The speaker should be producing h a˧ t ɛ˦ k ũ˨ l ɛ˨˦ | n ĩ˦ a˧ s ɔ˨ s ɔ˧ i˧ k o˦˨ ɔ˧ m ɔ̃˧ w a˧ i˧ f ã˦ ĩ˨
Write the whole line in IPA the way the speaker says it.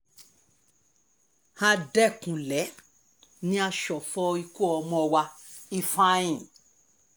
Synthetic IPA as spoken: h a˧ d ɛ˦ k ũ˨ l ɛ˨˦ | n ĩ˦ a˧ ʃ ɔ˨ f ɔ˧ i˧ k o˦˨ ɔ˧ m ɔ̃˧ w a˧ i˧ f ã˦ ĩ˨